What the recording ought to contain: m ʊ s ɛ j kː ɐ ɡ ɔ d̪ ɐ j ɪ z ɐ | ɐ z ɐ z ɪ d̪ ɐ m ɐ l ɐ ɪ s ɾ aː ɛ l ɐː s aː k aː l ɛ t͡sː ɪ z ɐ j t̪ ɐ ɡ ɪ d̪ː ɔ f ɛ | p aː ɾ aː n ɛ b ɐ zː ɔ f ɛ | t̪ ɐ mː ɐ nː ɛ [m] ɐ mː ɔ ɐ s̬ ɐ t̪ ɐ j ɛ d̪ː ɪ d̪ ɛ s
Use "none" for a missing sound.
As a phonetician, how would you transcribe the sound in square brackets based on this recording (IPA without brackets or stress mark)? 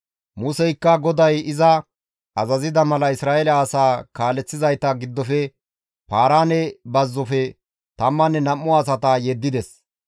n